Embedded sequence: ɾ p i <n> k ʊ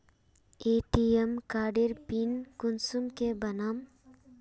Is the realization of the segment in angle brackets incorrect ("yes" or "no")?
no